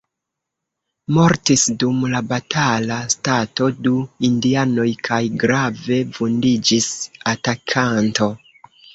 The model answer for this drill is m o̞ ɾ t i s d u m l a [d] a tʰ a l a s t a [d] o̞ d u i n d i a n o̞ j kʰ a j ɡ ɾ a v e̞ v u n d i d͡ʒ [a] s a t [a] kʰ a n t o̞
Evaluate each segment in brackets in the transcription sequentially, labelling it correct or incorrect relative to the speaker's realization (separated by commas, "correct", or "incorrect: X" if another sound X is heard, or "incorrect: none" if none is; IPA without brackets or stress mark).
incorrect: b, incorrect: t, incorrect: i, correct